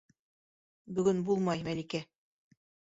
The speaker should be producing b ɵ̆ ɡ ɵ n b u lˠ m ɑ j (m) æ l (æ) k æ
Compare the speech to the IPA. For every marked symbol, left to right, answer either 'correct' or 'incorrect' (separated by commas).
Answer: correct, incorrect